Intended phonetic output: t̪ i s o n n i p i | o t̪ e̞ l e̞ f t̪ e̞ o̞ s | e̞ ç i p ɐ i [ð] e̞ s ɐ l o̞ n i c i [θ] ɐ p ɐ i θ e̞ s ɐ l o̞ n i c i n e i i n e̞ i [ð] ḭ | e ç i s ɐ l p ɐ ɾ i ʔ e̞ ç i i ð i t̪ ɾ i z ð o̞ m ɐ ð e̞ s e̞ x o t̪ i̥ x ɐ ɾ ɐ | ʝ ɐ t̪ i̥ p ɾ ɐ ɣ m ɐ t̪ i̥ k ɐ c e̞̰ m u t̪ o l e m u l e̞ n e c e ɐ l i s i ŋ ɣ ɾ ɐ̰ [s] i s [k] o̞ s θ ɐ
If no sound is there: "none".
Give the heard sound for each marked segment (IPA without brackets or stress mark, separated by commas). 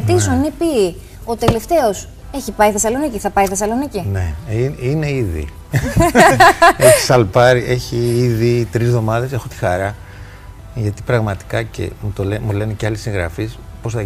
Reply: θ, θ, ð, f, p